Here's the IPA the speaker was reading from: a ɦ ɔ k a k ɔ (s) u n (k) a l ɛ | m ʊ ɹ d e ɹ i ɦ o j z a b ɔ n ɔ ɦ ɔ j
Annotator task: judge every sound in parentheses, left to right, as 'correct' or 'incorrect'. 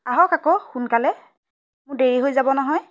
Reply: incorrect: x, correct

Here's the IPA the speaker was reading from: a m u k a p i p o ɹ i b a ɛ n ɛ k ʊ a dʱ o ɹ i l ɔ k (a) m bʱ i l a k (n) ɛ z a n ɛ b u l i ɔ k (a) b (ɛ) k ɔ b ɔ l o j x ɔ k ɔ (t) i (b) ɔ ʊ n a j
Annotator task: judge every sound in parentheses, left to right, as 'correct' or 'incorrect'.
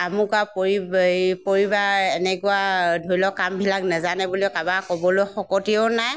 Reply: correct, correct, correct, incorrect: a, correct, incorrect: none

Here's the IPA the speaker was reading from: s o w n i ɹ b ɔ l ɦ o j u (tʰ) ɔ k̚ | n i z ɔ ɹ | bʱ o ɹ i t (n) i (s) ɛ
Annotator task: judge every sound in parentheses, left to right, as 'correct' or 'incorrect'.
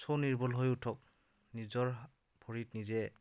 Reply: correct, correct, incorrect: z

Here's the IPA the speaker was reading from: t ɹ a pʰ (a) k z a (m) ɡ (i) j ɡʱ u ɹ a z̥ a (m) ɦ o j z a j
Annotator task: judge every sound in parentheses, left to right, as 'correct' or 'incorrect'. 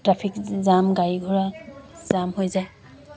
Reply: incorrect: i, correct, incorrect: a, correct

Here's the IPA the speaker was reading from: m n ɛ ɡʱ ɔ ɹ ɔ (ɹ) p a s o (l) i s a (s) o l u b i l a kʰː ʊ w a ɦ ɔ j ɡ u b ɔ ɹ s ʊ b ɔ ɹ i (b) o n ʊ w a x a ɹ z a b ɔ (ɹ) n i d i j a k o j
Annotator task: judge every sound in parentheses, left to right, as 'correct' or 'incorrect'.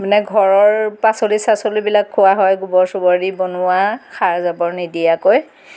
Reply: correct, correct, correct, correct, correct

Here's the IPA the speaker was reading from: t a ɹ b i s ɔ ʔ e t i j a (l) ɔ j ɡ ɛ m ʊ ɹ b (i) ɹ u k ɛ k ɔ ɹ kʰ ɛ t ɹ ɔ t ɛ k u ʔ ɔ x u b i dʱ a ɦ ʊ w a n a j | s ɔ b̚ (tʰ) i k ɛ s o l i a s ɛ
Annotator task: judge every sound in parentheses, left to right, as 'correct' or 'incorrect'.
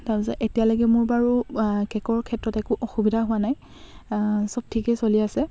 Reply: correct, incorrect: a, correct

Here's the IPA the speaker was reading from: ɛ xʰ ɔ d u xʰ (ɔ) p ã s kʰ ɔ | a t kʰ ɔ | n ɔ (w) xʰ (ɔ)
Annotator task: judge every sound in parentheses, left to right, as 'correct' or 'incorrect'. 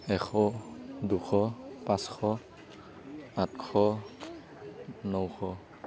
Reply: correct, correct, correct

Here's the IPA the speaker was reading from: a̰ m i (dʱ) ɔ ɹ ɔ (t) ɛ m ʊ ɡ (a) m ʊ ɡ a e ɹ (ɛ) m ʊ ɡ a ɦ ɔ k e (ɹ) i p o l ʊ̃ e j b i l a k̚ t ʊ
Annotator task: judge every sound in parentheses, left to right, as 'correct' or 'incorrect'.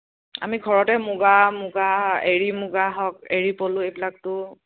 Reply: incorrect: ɡʱ, correct, correct, incorrect: i, correct

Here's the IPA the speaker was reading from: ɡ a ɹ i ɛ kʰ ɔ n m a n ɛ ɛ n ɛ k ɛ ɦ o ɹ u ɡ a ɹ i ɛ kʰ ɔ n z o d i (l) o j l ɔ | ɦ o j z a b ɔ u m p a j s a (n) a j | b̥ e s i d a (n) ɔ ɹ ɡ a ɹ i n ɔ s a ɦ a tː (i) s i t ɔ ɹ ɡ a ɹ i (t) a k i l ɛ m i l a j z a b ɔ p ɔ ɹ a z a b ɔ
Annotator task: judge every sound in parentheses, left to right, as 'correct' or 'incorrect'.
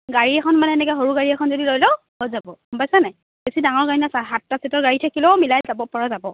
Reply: correct, correct, incorrect: ŋ, incorrect: a, incorrect: tʰ

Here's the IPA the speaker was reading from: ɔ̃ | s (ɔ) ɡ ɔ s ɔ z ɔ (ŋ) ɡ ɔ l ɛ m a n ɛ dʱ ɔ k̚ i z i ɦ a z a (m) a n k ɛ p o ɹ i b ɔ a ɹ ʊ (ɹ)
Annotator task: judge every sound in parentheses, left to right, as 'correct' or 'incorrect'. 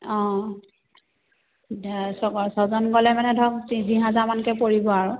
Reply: correct, incorrect: n, correct, incorrect: none

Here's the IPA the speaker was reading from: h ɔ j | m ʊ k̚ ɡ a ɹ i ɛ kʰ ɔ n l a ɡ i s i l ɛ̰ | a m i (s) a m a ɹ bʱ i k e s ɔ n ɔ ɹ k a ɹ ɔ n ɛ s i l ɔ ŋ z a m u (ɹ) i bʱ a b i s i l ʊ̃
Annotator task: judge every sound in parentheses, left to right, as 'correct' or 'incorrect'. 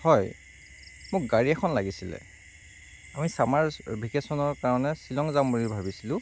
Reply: correct, correct

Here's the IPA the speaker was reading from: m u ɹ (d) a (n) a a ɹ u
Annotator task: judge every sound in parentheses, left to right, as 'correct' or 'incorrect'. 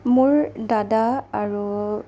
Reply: correct, incorrect: d

